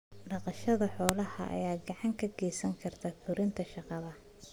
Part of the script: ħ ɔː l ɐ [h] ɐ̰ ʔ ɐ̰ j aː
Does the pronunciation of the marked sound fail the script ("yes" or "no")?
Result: no